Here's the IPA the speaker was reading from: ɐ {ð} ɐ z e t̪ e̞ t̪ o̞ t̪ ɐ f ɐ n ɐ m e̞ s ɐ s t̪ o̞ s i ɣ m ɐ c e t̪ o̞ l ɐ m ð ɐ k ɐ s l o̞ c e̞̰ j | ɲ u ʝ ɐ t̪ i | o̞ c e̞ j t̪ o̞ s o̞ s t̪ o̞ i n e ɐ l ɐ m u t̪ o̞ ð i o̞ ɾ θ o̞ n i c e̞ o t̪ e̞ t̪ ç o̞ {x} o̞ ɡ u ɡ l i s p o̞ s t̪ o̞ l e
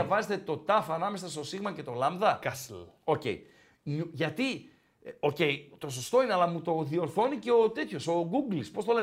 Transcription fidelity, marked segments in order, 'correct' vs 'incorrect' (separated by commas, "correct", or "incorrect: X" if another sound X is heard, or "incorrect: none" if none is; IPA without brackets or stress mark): incorrect: v, incorrect: s